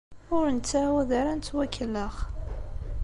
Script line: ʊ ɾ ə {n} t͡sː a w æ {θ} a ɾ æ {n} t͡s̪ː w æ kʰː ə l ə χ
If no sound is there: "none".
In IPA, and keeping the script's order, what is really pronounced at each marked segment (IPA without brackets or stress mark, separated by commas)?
n, ð, n